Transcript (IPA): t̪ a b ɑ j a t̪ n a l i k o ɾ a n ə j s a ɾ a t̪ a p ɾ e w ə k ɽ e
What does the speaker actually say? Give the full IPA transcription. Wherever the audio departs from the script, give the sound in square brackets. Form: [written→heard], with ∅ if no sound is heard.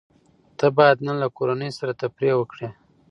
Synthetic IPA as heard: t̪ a b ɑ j a [t̪→d̪] n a l [i→a] k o ɾ a n ə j s a ɾ a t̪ a p ɾ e w ə k ɽ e